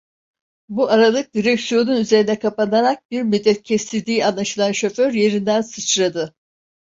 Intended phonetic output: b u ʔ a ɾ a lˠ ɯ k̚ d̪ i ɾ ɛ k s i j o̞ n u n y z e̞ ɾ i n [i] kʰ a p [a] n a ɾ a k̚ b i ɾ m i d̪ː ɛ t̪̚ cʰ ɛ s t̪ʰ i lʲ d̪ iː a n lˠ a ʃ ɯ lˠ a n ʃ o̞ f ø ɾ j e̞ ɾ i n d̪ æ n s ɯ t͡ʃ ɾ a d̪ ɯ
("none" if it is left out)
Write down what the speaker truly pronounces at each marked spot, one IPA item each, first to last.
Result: ɛ, a

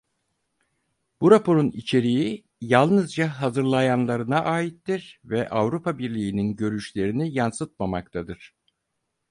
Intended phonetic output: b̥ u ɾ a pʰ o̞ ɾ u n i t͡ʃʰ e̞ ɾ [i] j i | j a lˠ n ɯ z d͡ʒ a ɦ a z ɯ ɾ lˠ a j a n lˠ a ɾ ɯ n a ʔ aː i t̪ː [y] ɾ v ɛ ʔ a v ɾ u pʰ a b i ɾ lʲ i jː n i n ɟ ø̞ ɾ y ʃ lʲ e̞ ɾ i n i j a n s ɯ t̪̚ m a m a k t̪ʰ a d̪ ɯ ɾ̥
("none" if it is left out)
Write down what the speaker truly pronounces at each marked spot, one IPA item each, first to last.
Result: i, i

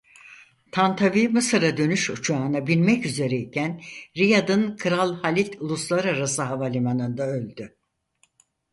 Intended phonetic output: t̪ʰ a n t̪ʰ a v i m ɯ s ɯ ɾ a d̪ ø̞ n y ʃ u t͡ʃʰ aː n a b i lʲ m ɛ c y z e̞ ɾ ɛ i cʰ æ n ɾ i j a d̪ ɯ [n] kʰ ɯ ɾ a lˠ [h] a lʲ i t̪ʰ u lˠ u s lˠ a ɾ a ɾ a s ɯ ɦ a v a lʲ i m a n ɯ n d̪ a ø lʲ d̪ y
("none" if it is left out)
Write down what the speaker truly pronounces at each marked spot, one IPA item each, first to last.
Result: n, h

